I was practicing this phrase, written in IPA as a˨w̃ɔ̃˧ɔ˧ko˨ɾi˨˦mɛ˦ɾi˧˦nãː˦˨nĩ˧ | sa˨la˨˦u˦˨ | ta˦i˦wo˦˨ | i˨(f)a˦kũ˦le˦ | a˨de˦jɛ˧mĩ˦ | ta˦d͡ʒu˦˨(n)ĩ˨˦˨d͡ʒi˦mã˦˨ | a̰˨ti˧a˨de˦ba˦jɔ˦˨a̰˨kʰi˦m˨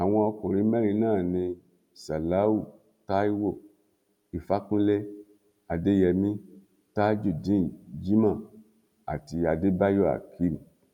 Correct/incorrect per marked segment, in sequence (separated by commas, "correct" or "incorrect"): correct, incorrect